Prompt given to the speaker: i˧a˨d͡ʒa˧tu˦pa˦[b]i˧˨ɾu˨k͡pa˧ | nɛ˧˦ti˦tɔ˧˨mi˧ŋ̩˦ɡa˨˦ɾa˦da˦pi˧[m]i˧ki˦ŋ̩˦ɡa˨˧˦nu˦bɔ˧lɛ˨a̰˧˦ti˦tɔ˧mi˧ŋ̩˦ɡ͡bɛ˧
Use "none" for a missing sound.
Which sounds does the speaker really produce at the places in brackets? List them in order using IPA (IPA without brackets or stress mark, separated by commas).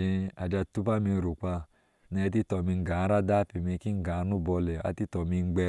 m, m